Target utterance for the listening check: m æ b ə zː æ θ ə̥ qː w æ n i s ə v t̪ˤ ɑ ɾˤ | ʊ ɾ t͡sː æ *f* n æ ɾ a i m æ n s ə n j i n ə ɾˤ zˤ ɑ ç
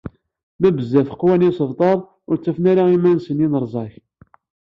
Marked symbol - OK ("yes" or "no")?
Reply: yes